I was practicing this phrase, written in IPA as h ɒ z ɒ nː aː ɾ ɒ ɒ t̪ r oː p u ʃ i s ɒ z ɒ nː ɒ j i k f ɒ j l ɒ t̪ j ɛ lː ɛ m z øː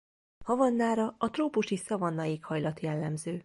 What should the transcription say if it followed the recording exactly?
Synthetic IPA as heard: h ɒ v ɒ nː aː ɾ ɒ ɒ t̪ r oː p u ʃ i s ɒ v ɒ nː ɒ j i k h ɒ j l ɒ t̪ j ɛ lː ɛ m z øː